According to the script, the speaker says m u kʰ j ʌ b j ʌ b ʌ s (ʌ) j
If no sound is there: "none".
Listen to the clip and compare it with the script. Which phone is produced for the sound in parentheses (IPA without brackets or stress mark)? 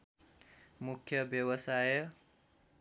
a